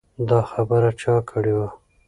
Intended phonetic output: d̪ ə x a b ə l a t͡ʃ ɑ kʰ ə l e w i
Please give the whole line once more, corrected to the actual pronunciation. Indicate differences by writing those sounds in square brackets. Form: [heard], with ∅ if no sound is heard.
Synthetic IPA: d̪ [ɑ] x a b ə [ɾ] a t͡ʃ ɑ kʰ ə [ɽ] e w [a]